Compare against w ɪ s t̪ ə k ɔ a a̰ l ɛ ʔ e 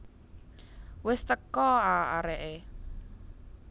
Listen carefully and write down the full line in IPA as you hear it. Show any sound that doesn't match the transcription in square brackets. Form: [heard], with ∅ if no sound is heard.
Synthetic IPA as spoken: w ɪ s t̪ ə k ɔ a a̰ [ɾ] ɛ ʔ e